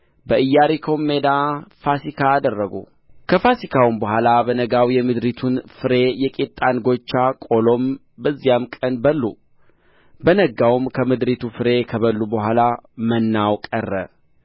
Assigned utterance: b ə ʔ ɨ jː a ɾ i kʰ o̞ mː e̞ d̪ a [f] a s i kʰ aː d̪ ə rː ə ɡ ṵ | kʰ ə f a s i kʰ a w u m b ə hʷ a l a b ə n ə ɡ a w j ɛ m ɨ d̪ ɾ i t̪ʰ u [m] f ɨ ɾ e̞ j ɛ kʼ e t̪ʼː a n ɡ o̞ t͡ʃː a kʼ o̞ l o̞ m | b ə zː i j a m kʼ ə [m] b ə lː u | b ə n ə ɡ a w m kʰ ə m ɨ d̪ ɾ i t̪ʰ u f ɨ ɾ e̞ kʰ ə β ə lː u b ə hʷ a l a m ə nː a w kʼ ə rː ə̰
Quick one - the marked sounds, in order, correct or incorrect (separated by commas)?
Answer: correct, incorrect, incorrect